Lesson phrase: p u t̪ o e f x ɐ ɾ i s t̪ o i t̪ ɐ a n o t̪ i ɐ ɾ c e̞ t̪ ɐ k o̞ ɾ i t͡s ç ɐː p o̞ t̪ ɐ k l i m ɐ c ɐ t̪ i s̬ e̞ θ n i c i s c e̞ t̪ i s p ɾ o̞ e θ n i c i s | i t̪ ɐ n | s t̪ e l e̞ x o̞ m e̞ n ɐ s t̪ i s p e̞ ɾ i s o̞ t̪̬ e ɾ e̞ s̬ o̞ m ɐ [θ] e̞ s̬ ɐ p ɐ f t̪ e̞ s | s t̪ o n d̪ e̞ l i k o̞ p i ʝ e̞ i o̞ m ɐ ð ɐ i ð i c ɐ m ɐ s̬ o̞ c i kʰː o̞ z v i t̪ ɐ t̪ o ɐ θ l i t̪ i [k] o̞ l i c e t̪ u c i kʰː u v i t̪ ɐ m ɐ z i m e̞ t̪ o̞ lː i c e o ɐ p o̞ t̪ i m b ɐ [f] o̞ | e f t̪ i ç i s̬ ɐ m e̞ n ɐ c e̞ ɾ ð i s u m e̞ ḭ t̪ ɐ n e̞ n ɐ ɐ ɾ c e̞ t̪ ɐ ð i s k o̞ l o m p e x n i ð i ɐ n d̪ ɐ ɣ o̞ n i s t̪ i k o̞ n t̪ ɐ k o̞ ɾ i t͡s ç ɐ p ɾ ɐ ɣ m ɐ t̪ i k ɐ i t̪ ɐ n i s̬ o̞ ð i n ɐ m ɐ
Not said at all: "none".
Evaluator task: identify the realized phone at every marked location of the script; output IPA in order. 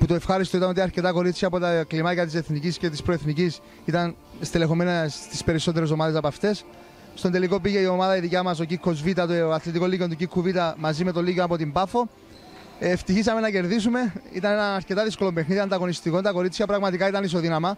ð, k, f

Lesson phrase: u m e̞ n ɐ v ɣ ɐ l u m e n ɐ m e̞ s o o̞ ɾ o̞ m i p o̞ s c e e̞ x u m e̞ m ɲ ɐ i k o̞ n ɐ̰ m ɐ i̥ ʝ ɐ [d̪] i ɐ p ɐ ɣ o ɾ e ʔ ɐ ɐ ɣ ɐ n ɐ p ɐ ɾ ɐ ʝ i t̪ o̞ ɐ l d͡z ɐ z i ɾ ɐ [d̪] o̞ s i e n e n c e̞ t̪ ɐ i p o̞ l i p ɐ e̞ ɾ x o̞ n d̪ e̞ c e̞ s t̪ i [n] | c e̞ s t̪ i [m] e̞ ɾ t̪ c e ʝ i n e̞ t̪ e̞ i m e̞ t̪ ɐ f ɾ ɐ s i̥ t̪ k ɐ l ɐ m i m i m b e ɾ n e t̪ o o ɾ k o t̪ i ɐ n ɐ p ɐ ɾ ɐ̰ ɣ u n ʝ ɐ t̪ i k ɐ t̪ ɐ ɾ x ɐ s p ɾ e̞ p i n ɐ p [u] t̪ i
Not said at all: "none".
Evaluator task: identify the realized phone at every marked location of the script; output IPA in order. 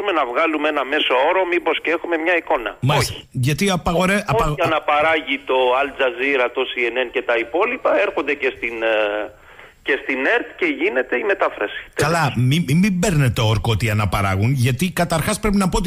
t̪, t̪, n, n, o

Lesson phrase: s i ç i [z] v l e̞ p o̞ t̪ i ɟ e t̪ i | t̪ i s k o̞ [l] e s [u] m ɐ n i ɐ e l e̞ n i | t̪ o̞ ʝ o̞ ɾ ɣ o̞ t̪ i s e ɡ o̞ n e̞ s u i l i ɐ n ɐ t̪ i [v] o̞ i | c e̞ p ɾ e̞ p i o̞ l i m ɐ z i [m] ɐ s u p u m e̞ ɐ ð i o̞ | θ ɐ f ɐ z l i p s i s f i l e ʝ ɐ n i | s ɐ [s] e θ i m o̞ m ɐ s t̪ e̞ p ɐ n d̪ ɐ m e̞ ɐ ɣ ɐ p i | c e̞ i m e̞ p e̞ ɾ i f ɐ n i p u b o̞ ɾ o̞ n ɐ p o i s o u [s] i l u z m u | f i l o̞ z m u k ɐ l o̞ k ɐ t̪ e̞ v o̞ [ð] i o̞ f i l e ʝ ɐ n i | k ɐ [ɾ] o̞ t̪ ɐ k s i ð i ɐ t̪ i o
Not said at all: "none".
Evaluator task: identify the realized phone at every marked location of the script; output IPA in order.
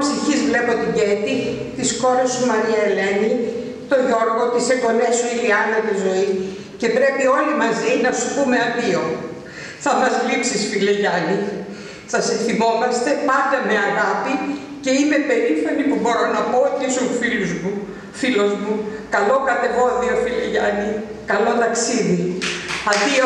z, ɾ, u, z, n, s, f, ð, l

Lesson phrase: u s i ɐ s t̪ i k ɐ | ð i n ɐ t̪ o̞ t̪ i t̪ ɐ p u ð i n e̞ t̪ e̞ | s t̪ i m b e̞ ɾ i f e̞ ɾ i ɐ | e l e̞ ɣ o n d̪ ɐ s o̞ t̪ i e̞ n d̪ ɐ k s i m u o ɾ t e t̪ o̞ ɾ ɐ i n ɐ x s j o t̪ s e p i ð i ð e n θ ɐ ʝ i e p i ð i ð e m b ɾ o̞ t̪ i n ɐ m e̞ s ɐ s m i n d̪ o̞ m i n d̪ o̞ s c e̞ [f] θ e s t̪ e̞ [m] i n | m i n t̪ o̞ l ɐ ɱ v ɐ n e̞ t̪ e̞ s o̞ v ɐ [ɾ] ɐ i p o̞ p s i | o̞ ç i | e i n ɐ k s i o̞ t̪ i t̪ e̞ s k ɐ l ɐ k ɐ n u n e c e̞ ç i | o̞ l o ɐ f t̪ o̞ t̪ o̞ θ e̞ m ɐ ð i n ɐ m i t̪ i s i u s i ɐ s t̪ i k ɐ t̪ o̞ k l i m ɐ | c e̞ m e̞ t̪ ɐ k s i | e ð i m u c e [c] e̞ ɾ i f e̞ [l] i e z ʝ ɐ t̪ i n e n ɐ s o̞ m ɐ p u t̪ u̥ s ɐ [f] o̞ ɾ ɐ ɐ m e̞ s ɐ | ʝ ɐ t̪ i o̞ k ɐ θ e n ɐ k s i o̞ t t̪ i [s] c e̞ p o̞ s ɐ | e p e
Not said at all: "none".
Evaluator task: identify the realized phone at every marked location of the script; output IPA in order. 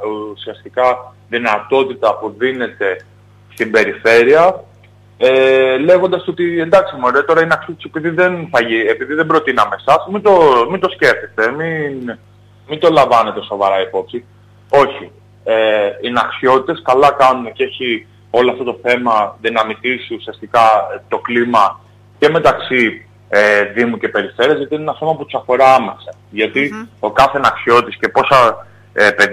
f, m, ɾ, p, ɾ, f, s

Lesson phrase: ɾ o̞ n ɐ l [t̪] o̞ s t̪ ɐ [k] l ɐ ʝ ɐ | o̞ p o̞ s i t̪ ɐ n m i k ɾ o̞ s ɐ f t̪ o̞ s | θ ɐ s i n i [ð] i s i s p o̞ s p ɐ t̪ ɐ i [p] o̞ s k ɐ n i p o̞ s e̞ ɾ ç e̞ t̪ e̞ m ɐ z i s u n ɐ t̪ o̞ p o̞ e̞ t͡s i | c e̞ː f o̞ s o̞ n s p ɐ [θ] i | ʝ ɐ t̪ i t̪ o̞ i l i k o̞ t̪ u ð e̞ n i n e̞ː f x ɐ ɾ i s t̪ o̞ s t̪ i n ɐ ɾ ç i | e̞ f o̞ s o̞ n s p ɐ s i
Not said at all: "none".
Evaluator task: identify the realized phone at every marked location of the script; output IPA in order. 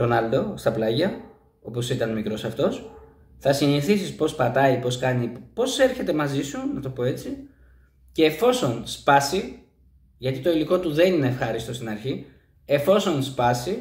d̪, p, θ, p, s

